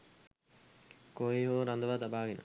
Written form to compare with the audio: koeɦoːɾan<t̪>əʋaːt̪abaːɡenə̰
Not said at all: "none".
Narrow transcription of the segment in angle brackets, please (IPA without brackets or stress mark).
d̪